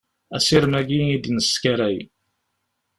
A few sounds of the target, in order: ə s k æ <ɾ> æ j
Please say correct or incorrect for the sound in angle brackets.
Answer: correct